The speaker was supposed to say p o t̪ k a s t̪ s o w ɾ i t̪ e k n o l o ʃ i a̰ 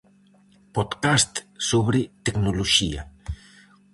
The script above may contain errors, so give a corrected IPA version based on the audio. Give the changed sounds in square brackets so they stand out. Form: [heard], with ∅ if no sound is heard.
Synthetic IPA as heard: p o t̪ k a s t̪ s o [β] ɾ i t̪ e k n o l o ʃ i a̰